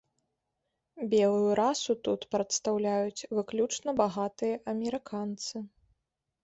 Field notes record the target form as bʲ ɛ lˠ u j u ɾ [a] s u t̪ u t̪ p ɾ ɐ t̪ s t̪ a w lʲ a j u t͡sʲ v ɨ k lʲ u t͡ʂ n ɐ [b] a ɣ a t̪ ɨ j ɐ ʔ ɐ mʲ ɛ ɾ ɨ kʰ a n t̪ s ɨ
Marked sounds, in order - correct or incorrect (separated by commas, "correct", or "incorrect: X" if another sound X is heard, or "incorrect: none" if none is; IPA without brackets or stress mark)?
correct, correct